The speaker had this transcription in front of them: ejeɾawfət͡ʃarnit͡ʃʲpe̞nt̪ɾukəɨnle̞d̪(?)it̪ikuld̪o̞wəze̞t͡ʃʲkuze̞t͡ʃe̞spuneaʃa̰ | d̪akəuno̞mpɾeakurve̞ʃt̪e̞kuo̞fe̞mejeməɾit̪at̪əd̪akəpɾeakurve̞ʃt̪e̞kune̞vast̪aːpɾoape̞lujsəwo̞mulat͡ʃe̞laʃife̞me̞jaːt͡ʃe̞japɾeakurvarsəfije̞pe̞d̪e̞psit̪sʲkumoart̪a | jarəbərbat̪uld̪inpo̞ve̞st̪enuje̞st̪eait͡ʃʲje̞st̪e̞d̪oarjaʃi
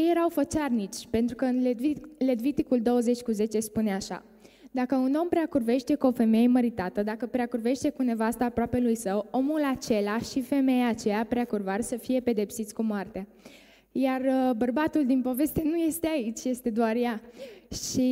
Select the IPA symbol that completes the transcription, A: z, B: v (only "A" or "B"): B